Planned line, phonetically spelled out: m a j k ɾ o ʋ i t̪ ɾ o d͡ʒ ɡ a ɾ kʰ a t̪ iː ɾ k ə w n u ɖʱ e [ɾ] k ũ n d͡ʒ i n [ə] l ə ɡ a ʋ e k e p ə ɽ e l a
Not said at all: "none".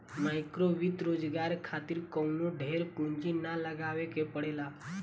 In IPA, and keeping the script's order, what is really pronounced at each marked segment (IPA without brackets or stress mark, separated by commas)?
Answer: ɾ, a